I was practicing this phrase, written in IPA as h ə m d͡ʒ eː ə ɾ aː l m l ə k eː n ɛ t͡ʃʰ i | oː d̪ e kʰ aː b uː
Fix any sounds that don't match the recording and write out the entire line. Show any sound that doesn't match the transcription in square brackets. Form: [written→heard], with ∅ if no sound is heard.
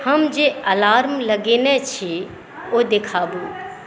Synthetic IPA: h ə m d͡ʒ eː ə [ɾ→l] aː [l→ɾ] m l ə [k→ɡ] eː n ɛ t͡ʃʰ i | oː d̪ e kʰ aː b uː

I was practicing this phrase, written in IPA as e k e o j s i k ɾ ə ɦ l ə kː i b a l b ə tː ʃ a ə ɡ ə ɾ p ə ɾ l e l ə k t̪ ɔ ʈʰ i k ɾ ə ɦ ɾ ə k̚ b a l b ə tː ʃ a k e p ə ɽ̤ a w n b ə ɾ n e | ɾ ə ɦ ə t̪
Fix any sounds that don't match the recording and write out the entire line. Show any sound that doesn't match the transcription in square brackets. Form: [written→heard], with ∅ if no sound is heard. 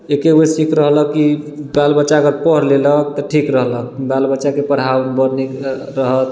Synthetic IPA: e k e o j s i k ɾ ə ɦ l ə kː i b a l b ə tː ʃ a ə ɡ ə ɾ p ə ɾ l e l ə k t̪ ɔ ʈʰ i k ɾ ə ɦ [ɾ→l] ə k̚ b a l b ə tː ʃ a k e p ə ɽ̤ a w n b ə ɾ n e | ɾ ə ɦ ə t̪

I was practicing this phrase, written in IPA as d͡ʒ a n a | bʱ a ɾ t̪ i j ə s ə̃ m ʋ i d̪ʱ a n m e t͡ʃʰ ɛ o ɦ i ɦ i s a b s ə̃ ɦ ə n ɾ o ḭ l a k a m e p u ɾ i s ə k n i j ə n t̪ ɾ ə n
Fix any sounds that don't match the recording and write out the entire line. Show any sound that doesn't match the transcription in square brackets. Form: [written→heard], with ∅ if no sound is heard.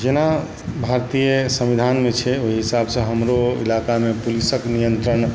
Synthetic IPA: d͡ʒ [a→e] n a | bʱ a ɾ t̪ i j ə s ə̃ m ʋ i d̪ʱ a n m e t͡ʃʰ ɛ o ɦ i ɦ i s a b s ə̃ ɦ ə [n→m] ɾ o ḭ l a k a m e p u [ɾ→l] i s ə k n i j ə n t̪ ɾ ə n

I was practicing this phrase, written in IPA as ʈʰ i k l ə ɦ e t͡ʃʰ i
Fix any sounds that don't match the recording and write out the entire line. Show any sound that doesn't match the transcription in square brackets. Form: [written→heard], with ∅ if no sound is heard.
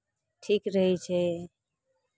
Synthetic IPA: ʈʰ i k [l→ɾ] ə ɦ [e→i] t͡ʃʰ [i→e]

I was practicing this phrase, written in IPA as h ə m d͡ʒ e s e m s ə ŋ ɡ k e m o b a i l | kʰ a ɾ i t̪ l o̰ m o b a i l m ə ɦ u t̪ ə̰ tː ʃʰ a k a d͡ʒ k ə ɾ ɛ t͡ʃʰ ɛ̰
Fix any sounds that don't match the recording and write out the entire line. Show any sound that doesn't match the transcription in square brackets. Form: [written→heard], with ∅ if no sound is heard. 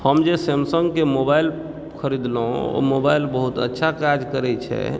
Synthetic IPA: h ə m d͡ʒ e s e m s ə ŋ ɡ k e m o b a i l | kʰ [a→ə] ɾ i [t̪→d̪] l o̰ m o b a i l [m→b] ə ɦ u t̪ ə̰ tː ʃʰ a k a d͡ʒ k ə ɾ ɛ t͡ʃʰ ɛ̰

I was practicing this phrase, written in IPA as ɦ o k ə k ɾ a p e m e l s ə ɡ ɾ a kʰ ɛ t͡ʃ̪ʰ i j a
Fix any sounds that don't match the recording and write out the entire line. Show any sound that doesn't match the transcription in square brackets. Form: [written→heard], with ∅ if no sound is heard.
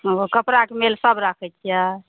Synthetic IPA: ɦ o k ə [k→p] ɾ a [p→k] e m e l s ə [ɡ→b] ɾ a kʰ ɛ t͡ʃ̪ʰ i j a

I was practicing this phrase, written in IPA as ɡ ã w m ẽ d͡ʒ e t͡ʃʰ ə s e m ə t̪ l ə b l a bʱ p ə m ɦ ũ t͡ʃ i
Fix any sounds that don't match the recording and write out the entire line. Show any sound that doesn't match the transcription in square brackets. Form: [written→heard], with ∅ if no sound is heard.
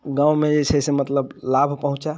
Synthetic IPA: ɡ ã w m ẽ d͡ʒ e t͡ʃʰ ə s e m ə t̪ l ə b l a bʱ p ə [m→∅] ɦ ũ t͡ʃ [i→a]

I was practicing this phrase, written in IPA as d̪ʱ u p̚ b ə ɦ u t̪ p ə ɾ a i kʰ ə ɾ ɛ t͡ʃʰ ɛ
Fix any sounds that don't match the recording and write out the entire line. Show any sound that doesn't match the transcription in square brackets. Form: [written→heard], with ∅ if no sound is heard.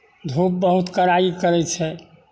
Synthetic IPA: d̪ʱ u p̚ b ə ɦ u t̪ [p→k] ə ɾ a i [kʰ→k] ə ɾ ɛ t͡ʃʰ ɛ

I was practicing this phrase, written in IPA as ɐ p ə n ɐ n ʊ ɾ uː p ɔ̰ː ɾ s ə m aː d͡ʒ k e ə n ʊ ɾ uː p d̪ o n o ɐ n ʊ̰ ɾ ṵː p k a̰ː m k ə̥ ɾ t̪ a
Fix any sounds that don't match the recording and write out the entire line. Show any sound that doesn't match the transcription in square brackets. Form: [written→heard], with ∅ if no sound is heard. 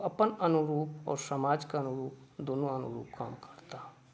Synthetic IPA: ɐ p ə n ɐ n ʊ ɾ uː p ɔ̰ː ɾ s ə m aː d͡ʒ k [e→a] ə n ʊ ɾ uː p d̪ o n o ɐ n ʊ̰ ɾ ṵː p k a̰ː m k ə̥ ɾ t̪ a

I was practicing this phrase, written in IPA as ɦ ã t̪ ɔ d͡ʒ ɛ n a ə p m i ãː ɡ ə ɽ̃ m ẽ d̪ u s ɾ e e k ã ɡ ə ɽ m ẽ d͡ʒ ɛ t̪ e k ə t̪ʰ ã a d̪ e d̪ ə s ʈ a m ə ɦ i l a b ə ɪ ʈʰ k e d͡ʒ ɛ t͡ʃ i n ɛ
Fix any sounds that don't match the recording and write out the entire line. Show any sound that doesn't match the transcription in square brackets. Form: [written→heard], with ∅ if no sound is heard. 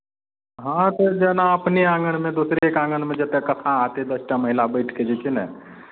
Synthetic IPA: ɦ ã t̪ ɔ d͡ʒ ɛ n a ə p [m→n] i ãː ɡ ə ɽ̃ m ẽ d̪ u s ɾ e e k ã ɡ ə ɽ m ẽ d͡ʒ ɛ t̪ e k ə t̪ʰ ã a [d̪→t̪] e d̪ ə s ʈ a m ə ɦ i l a b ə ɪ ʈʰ k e d͡ʒ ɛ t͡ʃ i n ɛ

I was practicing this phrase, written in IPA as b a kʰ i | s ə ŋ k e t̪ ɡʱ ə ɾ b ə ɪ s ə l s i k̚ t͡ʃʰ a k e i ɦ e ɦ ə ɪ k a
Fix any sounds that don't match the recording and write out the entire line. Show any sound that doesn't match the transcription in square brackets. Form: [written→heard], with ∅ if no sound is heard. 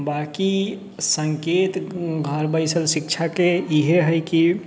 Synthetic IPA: b a [kʰ→k] i | s ə ŋ k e t̪ ɡʱ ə ɾ b ə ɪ s ə l s i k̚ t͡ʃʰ a k e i ɦ e ɦ ə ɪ k [a→i]

